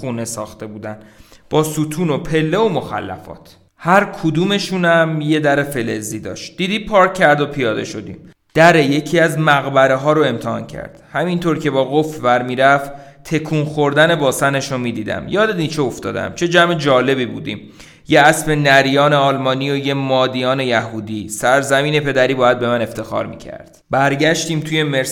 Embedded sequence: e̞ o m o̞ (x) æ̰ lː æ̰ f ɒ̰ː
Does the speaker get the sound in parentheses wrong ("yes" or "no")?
no